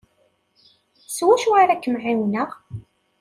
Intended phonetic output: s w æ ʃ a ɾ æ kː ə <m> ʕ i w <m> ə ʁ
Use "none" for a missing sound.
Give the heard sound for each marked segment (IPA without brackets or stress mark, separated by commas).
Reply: m, n